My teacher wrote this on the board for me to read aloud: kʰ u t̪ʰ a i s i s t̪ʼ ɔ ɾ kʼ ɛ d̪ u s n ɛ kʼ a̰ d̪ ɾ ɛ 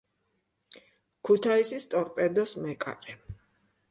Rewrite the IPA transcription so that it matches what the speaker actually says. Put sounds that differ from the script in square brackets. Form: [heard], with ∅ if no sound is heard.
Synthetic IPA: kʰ u t̪ʰ a i s i s t̪ʼ ɔ ɾ [pʼ] ɛ d̪ [ɔ] s [m] ɛ kʼ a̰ [∅] ɾ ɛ